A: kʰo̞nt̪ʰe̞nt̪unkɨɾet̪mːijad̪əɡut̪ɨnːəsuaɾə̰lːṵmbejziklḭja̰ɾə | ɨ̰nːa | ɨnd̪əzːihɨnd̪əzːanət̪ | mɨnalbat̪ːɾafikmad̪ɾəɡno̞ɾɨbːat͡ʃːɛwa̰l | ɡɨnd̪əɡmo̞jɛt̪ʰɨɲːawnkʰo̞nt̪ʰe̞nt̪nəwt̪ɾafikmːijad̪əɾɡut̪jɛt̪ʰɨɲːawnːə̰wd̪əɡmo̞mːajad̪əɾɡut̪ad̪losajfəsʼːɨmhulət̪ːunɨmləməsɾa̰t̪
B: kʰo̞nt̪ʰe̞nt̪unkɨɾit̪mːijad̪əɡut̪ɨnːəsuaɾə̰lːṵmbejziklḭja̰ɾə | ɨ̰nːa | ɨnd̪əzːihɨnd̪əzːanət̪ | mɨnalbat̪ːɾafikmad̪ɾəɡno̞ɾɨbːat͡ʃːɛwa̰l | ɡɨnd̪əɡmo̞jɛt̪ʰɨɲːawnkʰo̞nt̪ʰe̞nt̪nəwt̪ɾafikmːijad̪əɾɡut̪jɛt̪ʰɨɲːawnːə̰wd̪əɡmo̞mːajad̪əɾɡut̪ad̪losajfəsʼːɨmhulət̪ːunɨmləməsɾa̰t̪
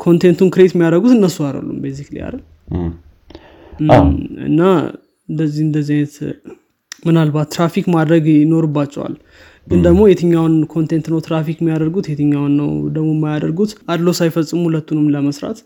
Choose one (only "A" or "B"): A